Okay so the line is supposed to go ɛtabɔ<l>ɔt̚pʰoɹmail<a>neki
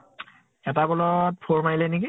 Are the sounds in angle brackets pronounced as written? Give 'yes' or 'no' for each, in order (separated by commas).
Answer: yes, no